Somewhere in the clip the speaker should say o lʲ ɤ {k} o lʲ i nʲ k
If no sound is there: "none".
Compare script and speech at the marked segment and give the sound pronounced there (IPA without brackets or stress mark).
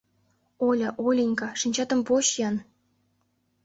ʔ